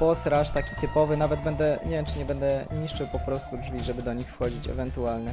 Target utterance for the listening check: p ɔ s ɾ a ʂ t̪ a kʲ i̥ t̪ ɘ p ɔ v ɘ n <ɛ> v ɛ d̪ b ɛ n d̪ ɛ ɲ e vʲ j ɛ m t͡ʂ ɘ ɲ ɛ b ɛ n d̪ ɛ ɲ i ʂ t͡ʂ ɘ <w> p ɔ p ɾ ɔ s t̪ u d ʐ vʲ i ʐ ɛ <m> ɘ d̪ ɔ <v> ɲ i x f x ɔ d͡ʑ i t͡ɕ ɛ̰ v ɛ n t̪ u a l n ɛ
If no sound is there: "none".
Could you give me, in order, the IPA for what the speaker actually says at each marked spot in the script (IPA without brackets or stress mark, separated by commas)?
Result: a, w, b, none